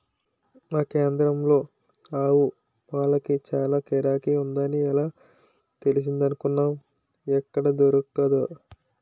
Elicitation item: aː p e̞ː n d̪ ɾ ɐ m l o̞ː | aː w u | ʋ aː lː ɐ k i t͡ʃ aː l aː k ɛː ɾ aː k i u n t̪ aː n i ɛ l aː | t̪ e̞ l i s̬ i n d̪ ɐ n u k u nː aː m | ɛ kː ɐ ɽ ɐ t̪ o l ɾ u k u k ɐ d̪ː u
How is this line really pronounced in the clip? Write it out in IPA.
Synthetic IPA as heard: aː k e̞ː n d̪ ɾ ɐ m l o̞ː | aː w u | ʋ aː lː ɐ k i t͡ʃ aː l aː k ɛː ɾ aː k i u n d̪ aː n i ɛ l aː | t̪ e̞ l i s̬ i n d̪ ɐ n u k u nː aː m | ɛ kː ɐ ɽ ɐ d̪ o ɾ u k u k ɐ d̪ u